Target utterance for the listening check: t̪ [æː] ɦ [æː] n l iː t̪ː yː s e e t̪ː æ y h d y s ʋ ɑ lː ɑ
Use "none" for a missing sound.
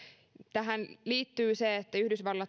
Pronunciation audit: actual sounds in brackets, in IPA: æ, æ

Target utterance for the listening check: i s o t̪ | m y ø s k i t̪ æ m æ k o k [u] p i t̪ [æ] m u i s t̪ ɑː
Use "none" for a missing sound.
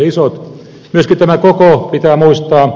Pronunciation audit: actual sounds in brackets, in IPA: o, æː

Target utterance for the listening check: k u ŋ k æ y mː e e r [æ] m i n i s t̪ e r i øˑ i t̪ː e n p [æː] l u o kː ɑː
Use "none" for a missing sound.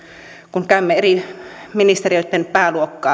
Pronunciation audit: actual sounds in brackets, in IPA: i, æː

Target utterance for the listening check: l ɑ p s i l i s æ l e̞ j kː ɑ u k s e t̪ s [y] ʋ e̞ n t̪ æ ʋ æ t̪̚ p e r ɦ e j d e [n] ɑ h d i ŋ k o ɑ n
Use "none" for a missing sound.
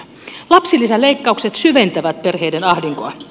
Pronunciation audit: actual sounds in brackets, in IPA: y, n

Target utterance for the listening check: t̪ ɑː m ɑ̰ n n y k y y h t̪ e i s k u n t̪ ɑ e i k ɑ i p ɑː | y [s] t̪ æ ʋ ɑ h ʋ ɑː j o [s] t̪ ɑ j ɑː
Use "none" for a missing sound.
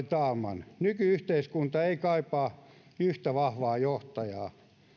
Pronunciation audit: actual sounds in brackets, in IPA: h, h

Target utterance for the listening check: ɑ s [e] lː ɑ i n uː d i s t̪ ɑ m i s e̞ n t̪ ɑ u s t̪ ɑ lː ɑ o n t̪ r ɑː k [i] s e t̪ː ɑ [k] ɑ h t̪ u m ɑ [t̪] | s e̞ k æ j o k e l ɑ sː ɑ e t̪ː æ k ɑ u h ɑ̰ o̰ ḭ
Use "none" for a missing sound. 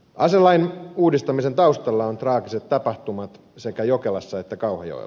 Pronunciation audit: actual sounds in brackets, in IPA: e, i, p, t̪

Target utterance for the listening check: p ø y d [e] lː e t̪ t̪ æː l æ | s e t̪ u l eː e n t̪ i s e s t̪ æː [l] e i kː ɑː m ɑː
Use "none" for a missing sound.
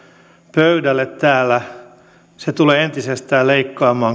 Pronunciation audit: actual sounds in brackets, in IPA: æ, l

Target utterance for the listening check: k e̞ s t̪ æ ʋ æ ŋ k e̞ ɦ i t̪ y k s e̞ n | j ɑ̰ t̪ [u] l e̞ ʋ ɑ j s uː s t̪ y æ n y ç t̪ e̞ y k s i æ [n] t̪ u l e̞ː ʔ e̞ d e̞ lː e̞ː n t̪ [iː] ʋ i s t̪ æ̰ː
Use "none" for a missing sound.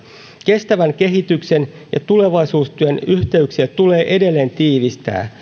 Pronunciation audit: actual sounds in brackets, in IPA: u, none, iː

